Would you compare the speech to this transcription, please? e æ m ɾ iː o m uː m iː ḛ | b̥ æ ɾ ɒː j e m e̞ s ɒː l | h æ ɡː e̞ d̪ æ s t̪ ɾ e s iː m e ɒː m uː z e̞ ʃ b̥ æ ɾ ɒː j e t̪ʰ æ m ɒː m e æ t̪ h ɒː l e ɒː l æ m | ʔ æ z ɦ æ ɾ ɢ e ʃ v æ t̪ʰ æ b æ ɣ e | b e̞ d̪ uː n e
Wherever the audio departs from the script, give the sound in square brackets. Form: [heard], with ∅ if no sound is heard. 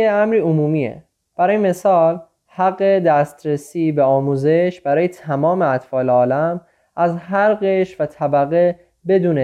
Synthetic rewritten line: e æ m ɾ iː o m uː m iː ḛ | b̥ æ ɾ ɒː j e m e̞ s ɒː l | h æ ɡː e̞ d̪ æ s t̪ ɾ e s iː [b] e ɒː m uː z e̞ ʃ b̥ æ ɾ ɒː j e t̪ʰ æ m ɒː m e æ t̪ [f] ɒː l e ɒː l æ m | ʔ æ z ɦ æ ɾ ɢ e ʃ v æ t̪ʰ æ b æ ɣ e | b e̞ d̪ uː n e